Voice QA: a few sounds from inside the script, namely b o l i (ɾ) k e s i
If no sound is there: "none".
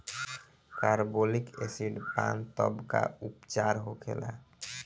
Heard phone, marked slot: none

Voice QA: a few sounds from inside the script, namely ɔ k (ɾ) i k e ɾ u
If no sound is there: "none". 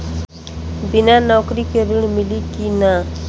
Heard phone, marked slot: ɾ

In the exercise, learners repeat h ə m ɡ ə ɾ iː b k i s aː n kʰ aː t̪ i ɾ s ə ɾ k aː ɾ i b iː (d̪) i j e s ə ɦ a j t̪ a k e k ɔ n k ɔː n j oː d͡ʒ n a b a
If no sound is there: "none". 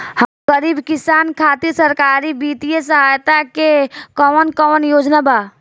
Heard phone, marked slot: t̪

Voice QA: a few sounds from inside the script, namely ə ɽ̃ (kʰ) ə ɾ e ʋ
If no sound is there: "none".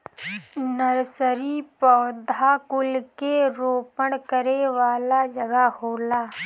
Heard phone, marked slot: k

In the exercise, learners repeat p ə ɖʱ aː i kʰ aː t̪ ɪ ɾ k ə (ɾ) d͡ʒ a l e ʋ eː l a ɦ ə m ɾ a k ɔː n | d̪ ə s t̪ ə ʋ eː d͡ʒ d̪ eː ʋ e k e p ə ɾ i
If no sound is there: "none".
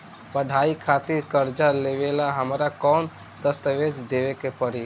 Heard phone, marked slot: ɾ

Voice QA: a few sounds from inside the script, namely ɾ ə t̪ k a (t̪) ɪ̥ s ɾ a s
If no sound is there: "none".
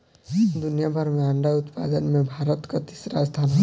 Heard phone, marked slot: t̪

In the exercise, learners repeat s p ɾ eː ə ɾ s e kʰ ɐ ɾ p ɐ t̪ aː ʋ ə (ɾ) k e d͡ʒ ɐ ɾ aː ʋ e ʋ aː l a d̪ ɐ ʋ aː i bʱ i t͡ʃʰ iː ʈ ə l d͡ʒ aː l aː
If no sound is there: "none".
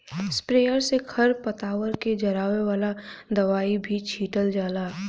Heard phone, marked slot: ɾ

